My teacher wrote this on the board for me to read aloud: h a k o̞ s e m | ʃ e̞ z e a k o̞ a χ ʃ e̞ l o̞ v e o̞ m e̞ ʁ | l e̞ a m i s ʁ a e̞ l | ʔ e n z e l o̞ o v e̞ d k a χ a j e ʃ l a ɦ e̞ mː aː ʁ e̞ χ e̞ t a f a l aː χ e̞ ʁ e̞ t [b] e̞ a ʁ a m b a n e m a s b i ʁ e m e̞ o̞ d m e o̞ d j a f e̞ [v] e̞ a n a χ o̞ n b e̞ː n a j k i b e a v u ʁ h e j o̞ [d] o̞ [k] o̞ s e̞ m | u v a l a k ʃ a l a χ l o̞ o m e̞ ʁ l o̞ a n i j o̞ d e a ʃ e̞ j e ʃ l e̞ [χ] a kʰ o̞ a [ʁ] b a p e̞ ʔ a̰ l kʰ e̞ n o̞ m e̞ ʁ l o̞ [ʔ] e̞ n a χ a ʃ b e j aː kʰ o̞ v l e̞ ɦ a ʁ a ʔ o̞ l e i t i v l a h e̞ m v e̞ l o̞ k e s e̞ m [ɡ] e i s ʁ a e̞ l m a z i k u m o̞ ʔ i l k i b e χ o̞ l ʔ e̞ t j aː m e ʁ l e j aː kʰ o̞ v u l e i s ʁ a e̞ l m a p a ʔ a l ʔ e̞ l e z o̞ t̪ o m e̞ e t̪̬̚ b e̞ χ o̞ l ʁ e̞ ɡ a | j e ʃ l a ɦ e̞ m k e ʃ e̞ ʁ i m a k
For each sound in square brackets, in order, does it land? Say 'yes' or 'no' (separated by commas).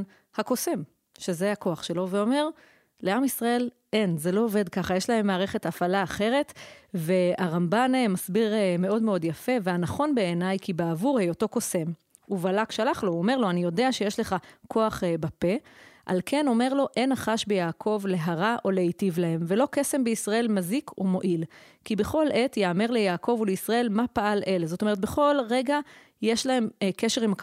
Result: no, yes, no, yes, yes, no, yes, no